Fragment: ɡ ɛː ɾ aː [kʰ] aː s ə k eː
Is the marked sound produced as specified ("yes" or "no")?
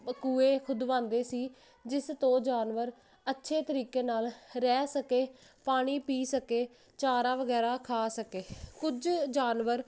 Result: yes